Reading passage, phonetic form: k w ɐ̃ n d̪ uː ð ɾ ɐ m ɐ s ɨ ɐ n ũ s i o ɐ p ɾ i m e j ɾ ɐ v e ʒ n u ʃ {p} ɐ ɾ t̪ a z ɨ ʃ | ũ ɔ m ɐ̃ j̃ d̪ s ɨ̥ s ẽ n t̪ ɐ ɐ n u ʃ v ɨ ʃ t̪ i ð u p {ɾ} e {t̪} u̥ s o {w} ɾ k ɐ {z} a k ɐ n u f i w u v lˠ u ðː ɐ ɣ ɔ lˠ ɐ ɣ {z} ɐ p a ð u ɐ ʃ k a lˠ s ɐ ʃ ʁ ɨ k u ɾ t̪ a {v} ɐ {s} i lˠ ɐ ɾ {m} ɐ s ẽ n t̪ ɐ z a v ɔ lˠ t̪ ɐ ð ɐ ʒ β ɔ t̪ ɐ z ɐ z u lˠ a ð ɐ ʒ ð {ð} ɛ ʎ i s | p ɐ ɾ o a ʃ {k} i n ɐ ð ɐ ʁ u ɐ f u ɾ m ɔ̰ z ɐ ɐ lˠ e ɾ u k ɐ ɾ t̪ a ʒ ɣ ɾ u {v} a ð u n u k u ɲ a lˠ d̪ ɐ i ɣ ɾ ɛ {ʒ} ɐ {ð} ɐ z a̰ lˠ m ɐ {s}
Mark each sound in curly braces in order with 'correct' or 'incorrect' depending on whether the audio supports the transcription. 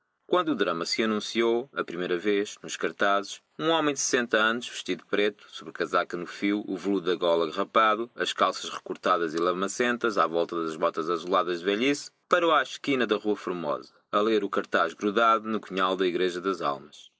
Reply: incorrect: k, correct, correct, incorrect: β, correct, incorrect: ʁ, incorrect: ð, incorrect: z, correct, incorrect: v, correct, incorrect: ð, correct, correct, incorrect: ʃ

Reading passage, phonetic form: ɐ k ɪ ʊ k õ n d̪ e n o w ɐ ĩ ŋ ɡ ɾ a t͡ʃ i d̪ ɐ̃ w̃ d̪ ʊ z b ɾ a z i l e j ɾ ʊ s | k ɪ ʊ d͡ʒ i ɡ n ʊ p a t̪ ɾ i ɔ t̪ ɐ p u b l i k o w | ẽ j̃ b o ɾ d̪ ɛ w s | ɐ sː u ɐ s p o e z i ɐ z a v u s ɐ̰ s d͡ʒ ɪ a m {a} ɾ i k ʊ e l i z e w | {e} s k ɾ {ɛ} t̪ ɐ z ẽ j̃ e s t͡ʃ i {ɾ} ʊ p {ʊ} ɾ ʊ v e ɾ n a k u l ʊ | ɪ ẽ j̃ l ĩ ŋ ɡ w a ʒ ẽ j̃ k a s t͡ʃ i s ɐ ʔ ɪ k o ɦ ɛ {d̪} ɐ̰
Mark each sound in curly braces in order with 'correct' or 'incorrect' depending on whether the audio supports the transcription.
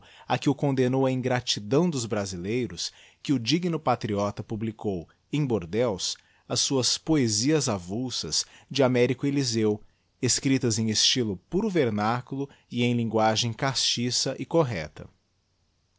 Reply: incorrect: ɛ, correct, incorrect: i, incorrect: l, incorrect: u, incorrect: t̪

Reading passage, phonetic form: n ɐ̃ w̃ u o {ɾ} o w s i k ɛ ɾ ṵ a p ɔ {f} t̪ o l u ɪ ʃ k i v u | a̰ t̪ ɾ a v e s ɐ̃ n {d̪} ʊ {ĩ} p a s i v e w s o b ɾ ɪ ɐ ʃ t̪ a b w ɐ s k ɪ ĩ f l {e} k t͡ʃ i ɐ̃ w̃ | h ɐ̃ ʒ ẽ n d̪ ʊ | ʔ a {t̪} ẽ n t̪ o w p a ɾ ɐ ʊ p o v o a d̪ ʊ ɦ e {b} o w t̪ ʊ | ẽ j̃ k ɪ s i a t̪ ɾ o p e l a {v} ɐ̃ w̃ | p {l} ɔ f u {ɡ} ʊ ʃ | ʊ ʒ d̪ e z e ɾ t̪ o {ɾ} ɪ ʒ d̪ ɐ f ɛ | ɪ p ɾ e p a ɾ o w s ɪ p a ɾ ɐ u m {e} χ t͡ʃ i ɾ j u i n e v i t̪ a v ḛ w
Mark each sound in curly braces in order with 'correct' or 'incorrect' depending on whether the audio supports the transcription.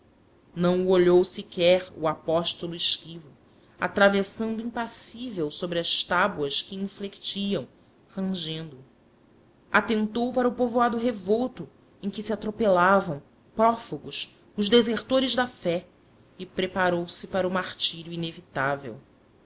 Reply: incorrect: ʎ, incorrect: ʃ, correct, correct, correct, correct, incorrect: v, correct, incorrect: ɾ, correct, correct, incorrect: a

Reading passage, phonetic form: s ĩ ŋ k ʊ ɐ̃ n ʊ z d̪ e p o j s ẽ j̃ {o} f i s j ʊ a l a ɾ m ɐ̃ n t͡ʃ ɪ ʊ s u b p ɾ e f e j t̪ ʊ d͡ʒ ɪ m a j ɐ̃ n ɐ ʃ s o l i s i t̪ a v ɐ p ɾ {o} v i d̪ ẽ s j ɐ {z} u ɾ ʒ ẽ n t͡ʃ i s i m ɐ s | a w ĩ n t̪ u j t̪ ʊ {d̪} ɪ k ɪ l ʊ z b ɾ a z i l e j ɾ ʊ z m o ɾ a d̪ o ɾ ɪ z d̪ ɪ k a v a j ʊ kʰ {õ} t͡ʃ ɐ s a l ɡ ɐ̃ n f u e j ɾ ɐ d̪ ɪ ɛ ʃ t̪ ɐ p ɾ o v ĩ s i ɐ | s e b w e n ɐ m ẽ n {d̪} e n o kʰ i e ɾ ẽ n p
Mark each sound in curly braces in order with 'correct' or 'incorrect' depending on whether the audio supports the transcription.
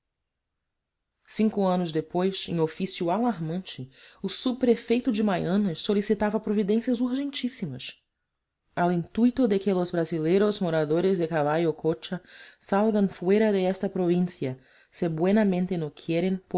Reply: correct, correct, correct, correct, incorrect: o, incorrect: t̪

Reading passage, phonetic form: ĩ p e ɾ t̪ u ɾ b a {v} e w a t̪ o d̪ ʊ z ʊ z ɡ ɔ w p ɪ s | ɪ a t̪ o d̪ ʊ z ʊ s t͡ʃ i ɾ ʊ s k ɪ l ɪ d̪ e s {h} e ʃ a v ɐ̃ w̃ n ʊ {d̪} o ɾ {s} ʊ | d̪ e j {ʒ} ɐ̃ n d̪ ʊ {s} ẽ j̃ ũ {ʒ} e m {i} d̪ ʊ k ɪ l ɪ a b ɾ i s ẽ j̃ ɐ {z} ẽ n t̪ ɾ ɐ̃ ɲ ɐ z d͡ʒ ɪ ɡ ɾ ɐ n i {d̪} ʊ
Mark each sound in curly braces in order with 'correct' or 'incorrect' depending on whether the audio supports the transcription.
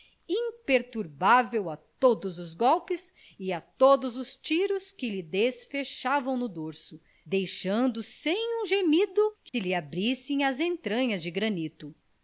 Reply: correct, incorrect: f, correct, correct, incorrect: ʃ, correct, correct, correct, correct, incorrect: t̪

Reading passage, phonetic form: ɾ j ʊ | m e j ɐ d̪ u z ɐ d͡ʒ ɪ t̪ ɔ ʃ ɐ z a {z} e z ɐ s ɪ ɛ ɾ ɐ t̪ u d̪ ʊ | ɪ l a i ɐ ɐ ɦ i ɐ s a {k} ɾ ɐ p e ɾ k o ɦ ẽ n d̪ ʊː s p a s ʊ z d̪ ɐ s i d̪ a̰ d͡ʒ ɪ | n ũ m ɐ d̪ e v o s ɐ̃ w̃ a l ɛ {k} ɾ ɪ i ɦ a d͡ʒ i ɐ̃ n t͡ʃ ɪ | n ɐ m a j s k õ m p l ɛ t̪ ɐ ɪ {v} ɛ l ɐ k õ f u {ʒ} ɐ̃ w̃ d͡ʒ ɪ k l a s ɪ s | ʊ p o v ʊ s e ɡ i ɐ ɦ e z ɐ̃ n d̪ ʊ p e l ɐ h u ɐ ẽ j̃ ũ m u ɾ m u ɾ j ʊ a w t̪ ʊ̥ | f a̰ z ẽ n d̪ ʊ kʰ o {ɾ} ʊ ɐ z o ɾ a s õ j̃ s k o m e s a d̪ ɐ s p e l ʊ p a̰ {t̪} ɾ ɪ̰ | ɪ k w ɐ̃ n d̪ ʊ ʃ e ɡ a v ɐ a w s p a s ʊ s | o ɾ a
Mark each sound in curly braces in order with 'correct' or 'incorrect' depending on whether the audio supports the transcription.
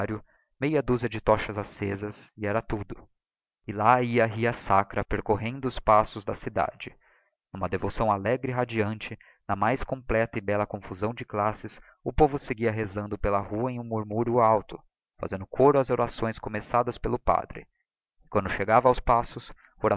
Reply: incorrect: s, correct, incorrect: ɡ, incorrect: b, incorrect: z, correct, incorrect: d̪

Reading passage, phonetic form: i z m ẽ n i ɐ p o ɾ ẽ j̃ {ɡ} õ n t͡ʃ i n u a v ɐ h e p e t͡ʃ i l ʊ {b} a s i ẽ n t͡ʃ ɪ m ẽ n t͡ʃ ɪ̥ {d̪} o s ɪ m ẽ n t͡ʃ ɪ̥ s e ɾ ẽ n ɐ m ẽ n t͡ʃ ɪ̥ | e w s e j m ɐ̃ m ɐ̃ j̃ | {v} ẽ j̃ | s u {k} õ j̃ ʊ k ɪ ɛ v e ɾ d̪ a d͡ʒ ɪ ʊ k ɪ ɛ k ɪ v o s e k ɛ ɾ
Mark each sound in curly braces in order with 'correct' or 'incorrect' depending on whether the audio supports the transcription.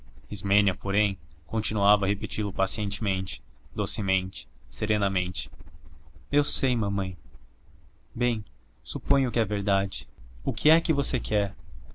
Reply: incorrect: k, incorrect: p, correct, incorrect: b, incorrect: p

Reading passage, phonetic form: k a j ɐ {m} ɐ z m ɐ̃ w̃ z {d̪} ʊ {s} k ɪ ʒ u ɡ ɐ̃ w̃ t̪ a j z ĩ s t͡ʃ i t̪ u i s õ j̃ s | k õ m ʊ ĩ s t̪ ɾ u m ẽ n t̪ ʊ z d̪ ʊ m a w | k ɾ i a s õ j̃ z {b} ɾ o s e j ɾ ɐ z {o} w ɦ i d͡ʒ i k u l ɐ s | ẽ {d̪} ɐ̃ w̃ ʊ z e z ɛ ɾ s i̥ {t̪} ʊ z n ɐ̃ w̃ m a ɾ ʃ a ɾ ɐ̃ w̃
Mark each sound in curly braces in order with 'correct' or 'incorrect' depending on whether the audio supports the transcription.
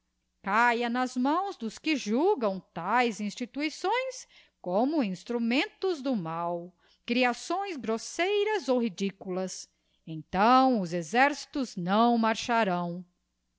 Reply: incorrect: n, correct, correct, incorrect: ɡ, correct, incorrect: t̪, correct

